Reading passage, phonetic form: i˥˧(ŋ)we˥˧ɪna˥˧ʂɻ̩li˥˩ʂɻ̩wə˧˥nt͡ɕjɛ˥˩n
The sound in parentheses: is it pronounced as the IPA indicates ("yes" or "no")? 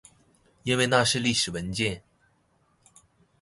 no